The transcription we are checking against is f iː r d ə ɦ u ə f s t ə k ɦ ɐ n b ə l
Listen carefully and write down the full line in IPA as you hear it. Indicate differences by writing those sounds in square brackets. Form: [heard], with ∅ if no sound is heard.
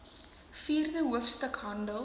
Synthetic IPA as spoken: f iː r d ə ɦ u ə f s t ə k ɦ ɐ n [d] ə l